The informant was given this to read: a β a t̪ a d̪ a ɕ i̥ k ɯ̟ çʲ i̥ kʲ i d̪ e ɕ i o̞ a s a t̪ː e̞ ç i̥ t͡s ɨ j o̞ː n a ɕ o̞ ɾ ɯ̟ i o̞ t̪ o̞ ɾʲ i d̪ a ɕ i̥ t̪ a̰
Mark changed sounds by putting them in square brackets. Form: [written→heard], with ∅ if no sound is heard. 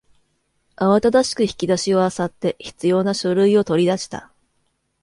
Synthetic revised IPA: a β a t̪ a d̪ a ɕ i̥ k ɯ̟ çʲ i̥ kʲ i d̪ [e→a] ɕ i o̞ a s a t̪ː e̞ ç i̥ t͡s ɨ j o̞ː n a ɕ o̞ ɾ ɯ̟ i o̞ t̪ o̞ ɾʲ i d̪ a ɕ i̥ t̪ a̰

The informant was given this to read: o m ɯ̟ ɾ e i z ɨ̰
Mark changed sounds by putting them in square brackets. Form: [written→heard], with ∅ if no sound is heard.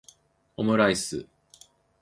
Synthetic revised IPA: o m ɯ̟ ɾ [e→a] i [z→s] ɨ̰

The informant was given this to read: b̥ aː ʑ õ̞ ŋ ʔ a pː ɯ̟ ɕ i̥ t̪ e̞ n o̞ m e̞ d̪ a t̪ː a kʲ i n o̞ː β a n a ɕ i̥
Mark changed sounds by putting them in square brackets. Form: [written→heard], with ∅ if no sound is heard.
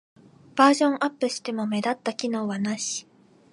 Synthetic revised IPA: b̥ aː ʑ õ̞ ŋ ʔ a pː ɯ̟ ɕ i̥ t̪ e̞ [n→m] o̞ m e̞ d̪ a t̪ː a kʲ i n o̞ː β a n a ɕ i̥

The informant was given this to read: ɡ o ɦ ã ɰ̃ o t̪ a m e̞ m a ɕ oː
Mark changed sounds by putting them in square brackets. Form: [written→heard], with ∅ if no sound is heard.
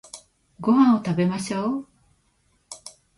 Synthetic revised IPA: ɡ o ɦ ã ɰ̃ o t̪ a [m→b] e̞ m a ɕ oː

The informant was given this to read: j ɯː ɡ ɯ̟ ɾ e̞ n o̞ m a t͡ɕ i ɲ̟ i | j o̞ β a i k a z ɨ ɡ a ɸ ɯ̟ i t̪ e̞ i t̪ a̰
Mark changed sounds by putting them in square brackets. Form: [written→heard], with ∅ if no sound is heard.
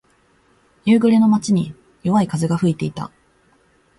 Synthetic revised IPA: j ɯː ɡ ɯ̟ ɾ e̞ n o̞ m a t͡ɕ i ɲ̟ i | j o̞ β a i k a z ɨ ɡ a ɸ ɯ̟ i t̪ e̞ i t̪ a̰

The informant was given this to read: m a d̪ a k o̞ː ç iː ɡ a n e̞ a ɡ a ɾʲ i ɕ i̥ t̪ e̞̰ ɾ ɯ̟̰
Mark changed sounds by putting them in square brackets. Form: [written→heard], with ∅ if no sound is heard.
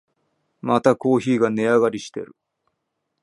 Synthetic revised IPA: m a [d̪→t̪] a k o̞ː ç iː ɡ a n e̞ a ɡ a ɾʲ i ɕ i̥ t̪ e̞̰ ɾ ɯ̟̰

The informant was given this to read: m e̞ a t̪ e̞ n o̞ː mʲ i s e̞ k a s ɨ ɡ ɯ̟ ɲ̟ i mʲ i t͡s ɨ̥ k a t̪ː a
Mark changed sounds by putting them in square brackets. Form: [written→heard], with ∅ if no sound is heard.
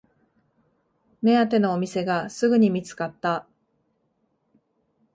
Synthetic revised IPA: m e̞ a t̪ e̞ n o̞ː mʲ i s e̞ [k→ɡ] a s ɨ ɡ ɯ̟ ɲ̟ i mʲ i t͡s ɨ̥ k a t̪ː a

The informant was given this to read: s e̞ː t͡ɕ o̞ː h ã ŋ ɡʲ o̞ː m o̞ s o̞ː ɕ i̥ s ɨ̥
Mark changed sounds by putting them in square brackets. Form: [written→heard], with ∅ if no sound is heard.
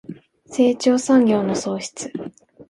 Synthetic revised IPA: s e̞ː t͡ɕ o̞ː [h→s] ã ŋ ɡʲ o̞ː [m→n] o̞ s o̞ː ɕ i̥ [s→t͡s] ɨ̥

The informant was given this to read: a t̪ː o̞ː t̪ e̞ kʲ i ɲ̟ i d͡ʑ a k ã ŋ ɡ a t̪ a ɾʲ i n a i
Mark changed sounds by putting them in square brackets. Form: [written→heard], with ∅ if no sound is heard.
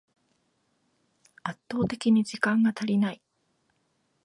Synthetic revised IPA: a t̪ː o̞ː t̪ e̞ kʲ i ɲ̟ i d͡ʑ [a→i] k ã ŋ ɡ a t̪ a ɾʲ i n a i

